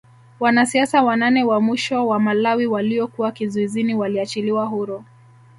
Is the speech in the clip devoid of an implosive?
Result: yes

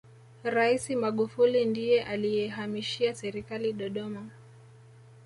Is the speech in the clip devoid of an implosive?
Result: no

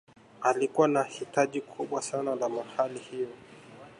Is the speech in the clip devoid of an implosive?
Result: no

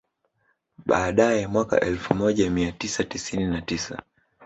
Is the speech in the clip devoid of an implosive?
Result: no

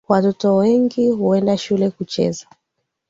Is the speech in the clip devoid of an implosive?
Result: yes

